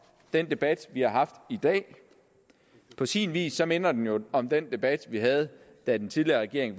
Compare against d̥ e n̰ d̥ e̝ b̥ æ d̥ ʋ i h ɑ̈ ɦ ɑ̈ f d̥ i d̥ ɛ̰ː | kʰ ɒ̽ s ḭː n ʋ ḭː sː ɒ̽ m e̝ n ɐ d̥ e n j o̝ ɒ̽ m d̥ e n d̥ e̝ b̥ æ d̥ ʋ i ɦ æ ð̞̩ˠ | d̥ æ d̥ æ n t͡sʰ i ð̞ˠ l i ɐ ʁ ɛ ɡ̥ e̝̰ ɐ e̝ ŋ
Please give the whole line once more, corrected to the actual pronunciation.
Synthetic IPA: d̥ e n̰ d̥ e̝ b̥ æ d̥ ʋ i h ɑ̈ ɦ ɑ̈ f d̥ i d̥ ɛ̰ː | pʰ ɒ̽ s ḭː n ʋ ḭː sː ɒ̽ m e̝ n ɐ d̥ e n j o̝ ɒ̽ m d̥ e n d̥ e̝ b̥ æ d̥ ʋ i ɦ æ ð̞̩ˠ | d̥ æ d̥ e n t͡sʰ i ð̞ˠ l i ɐ ʁ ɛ ɡ̥ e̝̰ ɐ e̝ ŋ

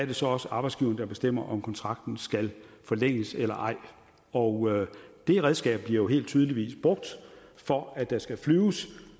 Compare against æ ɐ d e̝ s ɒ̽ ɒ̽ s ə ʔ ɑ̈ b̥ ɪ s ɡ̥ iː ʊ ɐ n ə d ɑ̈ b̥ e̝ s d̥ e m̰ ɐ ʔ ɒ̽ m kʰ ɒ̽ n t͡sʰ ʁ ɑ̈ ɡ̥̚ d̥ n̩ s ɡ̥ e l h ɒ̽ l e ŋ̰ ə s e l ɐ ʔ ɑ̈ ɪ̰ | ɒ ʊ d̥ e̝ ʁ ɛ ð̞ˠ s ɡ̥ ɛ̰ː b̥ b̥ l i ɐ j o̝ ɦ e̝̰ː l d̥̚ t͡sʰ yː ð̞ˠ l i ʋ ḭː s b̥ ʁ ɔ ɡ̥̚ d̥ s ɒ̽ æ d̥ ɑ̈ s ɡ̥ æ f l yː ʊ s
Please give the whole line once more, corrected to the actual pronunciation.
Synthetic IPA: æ ɐ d e̝ s ɒ̽ ɒ̽ s ə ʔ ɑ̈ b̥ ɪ s ɡ̥ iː ʊ ɐ n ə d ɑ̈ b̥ e̝ s d̥ e m̰ ɐ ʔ ɒ̽ m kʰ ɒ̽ n t͡sʰ ʁ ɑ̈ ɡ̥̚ d̥ n̩ s ɡ̥ æ l f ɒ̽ l e ŋ̰ ə s e l ɐ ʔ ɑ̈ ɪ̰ | ɒ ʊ d̥ e̝ ʁ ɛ ð̞ˠ s ɡ̥ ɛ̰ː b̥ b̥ l i ɐ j o̝ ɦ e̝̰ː l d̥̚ t͡sʰ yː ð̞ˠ l i ʋ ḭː s b̥ ʁ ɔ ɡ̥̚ d̥ f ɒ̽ æ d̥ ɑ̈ s ɡ̥ æ f l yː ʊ s

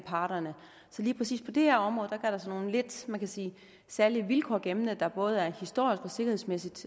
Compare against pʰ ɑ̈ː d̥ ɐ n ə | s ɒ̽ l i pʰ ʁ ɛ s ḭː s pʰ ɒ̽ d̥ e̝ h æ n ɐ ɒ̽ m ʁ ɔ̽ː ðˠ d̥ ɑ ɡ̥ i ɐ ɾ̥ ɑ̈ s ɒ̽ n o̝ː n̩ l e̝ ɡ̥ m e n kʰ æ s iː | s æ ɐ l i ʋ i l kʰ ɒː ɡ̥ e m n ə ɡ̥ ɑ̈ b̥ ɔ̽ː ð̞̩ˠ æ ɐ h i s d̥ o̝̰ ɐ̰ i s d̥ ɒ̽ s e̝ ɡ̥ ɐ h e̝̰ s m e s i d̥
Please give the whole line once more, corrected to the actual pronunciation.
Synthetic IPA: pʰ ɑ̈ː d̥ ɐ n ə | s ɒ̽ l iː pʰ ʁ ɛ s ḭː s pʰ ɒ̽ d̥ e̝ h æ ɐ ɒ̽ m ʁ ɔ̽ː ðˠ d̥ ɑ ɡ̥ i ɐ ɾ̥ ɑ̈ s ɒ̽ n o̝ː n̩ l e̝ d̥ m æ n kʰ æ s iː | s æ ɐ l i ʋ i l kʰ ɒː ɡ̥ e m n ə d̥ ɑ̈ b̥ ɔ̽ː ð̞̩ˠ æ ɐ h i s d̥ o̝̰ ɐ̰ i s ɡ̥ ɒ̽ s e̝ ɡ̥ ɐ h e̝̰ s m e s i d̥

